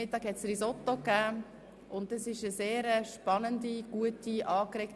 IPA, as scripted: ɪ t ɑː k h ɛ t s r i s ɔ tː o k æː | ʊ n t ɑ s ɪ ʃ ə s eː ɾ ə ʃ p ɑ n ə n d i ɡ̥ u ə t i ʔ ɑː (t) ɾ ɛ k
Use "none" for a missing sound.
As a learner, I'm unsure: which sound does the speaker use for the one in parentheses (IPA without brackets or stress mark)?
k